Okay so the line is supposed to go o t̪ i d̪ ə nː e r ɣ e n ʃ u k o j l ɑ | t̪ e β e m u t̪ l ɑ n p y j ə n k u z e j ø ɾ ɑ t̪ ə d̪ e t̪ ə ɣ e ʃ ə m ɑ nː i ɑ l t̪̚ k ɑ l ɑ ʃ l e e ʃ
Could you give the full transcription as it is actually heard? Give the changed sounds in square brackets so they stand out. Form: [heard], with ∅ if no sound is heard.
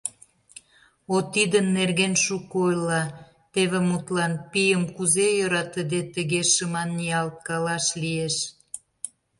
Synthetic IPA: o t̪ i d̪ ə nː e r ɣ e n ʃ u k o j l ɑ | t̪ e β e m u t̪ l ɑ n p [i] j ə [m] k u z e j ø ɾ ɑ t̪ ə d̪ e t̪ ə ɣ e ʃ ə m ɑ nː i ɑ l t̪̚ k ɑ l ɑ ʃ l [i] e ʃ